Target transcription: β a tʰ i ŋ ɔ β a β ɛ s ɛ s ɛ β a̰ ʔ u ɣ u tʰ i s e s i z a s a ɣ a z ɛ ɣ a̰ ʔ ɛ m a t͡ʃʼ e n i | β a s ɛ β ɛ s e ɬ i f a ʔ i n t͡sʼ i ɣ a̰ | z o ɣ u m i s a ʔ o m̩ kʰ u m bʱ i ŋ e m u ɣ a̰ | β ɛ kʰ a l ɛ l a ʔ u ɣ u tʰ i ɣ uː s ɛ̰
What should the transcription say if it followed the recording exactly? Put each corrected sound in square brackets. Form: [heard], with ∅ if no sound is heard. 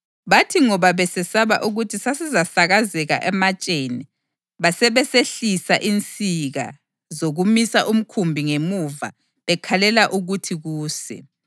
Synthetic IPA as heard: β a tʰ i ŋ ɔ β a β ɛ s ɛ s [a] β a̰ ʔ u ɣ u tʰ i s [a] s i z a s a ɣ a z ɛ ɣ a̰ ʔ ɛ m a t͡ʃʼ e n i | β a s ɛ β ɛ s e ɬ i [s] a ʔ i n t͡sʼ i ɣ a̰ | z o ɣ u m i s a ʔ [u] m̩ kʰ u m bʱ i ŋ e m u [v] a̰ | β ɛ kʰ a l ɛ l a ʔ u ɣ u tʰ i ɣ uː s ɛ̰